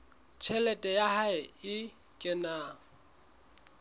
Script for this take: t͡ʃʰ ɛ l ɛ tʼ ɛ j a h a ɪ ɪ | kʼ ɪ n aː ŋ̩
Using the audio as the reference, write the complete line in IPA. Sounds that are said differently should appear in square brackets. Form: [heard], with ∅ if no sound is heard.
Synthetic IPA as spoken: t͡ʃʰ ɛ l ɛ tʼ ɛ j a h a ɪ ɪ | kʼ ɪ n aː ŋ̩